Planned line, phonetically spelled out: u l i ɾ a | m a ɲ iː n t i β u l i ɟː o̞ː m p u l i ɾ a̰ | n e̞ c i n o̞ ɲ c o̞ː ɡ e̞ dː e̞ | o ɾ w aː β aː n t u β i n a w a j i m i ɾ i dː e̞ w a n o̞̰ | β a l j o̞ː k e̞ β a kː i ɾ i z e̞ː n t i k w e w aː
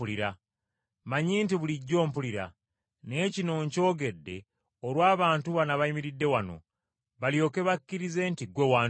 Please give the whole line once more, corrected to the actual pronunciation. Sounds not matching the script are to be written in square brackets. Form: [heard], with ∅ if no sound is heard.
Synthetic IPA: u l i ɾ a | m a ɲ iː n t i β u l i ɟː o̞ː m p u l i ɾ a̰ | n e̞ c i n o̞ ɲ c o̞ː ɡ e̞ dː e̞ | o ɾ w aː β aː n t u β [a] n a [β] a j i m i ɾ i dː e̞ w a n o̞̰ | β a l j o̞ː k e̞ β a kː i ɾ i z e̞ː n t i [ɡ] w e w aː